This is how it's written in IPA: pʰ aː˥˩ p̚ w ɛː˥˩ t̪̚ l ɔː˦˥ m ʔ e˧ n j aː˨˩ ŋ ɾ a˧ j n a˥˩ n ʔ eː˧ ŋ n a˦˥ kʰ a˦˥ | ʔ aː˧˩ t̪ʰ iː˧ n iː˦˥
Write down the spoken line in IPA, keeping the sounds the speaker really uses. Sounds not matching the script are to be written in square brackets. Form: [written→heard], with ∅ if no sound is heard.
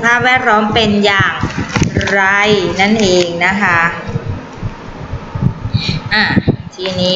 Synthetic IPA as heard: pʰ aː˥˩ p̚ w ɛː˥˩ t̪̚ l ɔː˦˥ m [ʔ→p] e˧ n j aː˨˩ ŋ ɾ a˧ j n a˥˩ n ʔ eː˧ ŋ n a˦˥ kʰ a˦˥ | ʔ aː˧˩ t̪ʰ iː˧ n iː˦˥